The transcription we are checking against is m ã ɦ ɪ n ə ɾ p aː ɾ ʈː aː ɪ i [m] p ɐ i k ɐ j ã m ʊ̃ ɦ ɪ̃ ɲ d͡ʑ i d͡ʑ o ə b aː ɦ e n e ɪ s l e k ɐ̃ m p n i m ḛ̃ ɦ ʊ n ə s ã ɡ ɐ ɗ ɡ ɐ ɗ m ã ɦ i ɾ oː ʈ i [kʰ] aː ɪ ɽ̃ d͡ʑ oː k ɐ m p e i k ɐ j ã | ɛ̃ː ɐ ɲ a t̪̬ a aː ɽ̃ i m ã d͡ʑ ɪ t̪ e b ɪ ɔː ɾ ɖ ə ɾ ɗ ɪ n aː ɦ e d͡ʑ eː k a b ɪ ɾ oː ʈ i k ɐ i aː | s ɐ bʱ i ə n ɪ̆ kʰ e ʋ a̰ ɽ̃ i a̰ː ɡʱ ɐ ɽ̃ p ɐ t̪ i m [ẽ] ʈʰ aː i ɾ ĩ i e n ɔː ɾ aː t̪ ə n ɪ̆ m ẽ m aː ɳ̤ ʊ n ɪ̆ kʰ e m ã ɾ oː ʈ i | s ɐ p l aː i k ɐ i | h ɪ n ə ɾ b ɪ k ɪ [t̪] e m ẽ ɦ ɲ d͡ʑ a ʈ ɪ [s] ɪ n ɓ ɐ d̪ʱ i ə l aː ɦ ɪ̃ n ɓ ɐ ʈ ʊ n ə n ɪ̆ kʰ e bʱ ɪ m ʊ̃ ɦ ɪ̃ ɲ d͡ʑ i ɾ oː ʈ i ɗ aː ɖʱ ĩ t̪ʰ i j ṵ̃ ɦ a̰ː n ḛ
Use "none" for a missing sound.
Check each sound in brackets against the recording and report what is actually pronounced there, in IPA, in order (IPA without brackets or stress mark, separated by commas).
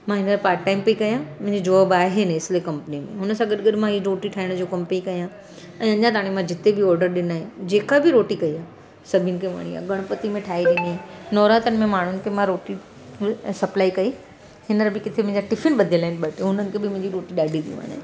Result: m, ʈʰ, ẽ, t̪ʰ, f